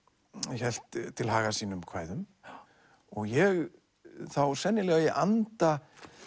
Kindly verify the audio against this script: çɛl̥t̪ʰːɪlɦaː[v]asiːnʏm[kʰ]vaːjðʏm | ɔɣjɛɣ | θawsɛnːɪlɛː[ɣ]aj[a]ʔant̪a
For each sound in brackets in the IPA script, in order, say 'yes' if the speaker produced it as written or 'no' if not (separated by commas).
no, yes, yes, no